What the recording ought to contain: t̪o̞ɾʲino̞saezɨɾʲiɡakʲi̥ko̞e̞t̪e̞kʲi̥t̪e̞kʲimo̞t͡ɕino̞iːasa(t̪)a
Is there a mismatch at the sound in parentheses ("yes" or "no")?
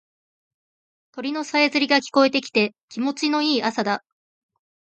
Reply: yes